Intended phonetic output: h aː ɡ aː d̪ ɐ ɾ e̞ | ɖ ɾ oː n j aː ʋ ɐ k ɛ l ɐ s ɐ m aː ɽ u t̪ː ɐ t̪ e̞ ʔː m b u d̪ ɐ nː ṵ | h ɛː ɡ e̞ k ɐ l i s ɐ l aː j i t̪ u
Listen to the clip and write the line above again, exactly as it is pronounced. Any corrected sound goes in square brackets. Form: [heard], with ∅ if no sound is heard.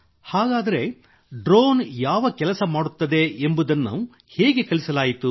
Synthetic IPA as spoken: h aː ɡ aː d̪ ɐ ɾ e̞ | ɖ ɾ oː n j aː ʋ ɐ k ɛ l ɐ s ɐ m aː ɽ u t̪ː ɐ [d̪] e̞ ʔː m b u d̪ ɐ nː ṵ | h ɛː ɡ e̞ k ɐ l i s ɐ l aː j i t̪ u